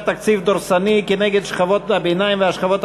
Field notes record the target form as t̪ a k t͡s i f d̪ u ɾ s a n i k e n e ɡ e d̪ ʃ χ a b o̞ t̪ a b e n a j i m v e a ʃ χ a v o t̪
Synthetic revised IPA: t̪ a k t͡s i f d̪ o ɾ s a n i k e n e ɡ e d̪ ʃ χ a v o̞ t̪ a b e n a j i m v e a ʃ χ a v o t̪